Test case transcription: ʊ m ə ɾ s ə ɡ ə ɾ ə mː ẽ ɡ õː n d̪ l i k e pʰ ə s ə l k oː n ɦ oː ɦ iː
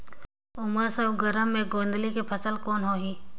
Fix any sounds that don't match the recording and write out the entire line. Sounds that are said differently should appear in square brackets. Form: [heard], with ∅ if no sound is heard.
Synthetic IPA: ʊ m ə ɾ s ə ɡ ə ɾ ə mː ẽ ɡ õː n d̪ l i k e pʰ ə s ə l k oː n ɦ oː ɦ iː